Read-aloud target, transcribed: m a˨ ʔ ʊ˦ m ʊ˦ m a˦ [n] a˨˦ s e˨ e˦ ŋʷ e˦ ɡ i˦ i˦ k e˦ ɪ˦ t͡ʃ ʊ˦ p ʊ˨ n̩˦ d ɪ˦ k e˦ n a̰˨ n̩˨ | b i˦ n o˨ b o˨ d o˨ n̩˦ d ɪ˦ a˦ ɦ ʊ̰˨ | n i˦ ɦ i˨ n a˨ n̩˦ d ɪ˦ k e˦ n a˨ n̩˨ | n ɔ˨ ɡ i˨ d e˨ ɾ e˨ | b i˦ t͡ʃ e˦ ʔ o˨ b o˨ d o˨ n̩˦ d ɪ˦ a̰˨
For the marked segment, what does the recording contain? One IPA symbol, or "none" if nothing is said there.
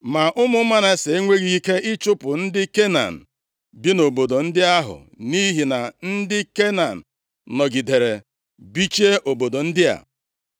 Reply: n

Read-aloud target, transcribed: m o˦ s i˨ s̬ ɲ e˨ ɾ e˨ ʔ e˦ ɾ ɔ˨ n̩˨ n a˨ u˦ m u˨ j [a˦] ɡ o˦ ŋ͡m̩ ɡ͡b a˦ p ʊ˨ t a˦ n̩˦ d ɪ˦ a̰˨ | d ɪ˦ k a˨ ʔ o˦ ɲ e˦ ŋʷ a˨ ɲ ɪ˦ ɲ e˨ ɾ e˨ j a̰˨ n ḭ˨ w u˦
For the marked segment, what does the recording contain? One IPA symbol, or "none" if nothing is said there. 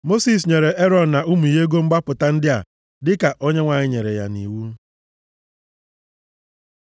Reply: e˦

